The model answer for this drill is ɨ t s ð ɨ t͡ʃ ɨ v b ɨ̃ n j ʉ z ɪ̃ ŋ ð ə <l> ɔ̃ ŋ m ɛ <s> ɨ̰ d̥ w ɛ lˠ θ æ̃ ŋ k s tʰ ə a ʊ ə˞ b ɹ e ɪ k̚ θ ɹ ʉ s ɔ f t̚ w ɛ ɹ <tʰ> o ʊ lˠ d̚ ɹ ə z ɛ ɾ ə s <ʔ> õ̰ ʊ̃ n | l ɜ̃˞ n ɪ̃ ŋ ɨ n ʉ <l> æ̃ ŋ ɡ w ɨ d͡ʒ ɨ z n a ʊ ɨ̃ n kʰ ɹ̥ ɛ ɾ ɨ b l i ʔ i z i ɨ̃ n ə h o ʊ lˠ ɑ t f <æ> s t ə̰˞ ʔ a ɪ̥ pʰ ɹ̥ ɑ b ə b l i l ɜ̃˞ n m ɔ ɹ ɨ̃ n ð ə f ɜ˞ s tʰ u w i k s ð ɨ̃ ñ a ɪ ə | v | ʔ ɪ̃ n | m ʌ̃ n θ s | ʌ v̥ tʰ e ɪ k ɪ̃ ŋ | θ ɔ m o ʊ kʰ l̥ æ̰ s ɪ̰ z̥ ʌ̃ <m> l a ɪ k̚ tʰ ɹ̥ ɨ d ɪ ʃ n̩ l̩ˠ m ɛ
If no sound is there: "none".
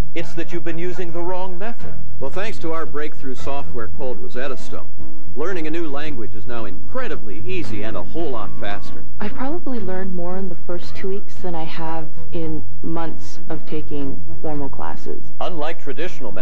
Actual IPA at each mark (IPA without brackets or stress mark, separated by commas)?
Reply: ɹ, θ, kʰ, t, l, æ, n